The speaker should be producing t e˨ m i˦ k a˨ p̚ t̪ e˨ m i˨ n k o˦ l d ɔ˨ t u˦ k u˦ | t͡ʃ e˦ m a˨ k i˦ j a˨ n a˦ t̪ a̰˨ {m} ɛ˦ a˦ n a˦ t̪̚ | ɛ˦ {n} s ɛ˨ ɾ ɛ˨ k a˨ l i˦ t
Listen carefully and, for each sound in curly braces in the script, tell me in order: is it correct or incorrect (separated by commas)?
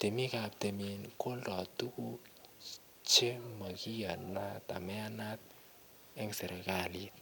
correct, incorrect